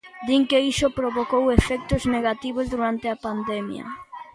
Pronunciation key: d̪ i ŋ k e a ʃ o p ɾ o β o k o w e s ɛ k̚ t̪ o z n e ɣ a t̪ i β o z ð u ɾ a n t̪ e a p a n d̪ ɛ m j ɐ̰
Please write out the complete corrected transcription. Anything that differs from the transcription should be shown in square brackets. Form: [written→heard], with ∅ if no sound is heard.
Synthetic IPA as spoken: d̪ i ŋ k e [a→i] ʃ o p ɾ o β o k o w e [s→f] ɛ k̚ t̪ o z n e ɣ a t̪ i β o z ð u ɾ a n t̪ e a p a n d̪ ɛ m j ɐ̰